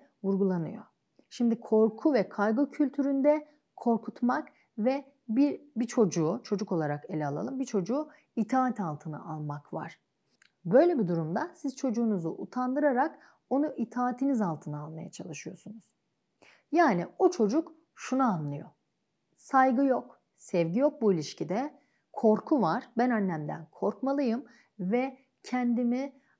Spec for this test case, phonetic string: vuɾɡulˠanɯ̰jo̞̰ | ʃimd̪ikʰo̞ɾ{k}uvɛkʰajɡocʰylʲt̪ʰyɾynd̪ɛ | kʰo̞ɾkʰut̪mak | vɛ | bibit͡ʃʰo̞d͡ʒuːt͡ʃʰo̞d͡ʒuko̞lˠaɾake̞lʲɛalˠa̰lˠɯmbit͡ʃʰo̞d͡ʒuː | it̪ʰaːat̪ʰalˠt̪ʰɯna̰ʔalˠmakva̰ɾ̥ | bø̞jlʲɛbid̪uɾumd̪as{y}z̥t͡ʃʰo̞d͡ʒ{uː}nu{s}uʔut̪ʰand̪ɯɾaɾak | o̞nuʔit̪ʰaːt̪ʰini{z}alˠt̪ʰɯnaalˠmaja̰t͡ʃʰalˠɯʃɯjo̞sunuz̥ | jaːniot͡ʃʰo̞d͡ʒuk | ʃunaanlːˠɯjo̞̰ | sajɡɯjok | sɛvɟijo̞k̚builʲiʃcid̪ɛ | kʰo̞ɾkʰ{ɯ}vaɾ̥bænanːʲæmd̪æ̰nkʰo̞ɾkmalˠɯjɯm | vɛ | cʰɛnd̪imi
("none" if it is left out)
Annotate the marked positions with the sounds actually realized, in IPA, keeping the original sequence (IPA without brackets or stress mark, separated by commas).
kʰ, i, uː, z, z, u